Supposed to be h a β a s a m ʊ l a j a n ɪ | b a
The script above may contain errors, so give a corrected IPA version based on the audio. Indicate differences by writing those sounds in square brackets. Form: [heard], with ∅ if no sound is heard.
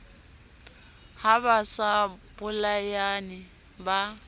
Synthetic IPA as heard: h a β a s a [b] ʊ l a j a n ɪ | b a